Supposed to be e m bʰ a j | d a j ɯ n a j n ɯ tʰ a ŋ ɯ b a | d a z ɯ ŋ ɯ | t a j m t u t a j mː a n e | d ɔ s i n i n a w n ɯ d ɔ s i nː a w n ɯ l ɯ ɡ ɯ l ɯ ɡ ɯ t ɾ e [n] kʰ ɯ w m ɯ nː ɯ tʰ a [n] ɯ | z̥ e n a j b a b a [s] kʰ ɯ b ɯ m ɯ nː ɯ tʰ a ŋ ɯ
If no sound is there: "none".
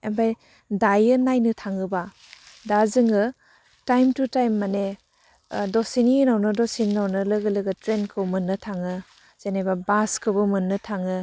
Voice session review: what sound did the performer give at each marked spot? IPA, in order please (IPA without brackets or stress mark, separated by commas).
n, ŋ, s